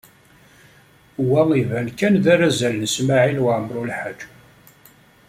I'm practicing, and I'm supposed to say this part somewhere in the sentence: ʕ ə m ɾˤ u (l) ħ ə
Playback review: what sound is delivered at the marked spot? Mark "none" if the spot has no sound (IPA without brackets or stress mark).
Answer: l